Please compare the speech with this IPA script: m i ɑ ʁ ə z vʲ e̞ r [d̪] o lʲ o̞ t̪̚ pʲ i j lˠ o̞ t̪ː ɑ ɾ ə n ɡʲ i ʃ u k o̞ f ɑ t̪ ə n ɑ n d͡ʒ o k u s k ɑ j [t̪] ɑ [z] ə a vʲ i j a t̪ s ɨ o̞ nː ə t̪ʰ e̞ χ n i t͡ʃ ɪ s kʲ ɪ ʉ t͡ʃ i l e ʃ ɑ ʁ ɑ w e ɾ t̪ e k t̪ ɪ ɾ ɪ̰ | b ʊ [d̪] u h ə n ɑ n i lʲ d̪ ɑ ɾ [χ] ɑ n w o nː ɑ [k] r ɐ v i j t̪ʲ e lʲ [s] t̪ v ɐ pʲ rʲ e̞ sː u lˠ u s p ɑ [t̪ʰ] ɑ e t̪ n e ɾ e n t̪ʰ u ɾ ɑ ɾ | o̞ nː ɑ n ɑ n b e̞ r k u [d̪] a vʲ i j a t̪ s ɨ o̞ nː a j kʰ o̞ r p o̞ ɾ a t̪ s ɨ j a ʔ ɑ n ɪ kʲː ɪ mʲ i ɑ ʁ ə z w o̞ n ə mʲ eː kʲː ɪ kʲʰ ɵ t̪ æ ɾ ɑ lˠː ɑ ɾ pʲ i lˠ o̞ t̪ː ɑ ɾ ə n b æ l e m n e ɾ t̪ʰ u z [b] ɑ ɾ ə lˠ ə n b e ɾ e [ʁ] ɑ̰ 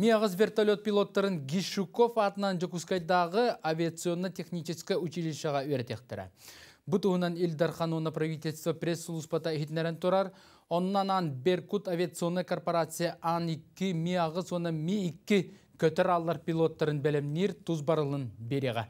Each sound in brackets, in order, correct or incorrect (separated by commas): incorrect, incorrect, incorrect, incorrect, correct, incorrect, correct, incorrect, incorrect, correct, correct